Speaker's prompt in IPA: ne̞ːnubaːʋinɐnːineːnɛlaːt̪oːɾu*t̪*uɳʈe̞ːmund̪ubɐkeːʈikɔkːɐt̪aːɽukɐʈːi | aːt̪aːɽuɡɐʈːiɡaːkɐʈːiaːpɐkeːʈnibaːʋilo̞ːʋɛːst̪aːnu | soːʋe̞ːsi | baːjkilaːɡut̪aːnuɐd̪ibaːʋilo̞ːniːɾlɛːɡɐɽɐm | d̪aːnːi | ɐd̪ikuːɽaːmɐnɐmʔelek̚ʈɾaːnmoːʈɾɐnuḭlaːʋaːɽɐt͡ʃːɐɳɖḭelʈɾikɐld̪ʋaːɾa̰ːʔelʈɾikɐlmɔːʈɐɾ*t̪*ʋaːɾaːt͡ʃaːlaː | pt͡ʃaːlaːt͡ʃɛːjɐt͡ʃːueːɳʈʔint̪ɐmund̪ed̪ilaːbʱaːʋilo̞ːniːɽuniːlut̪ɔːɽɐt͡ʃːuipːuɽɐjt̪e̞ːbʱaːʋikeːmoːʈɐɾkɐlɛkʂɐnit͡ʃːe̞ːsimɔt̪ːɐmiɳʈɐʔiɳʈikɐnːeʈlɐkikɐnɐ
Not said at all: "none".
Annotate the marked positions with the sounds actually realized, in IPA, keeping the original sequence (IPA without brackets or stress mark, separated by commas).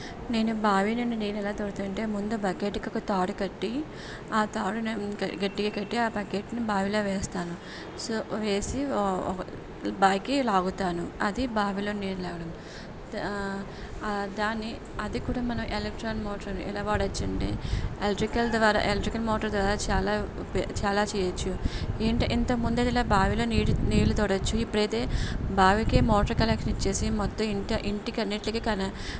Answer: t̪, d̪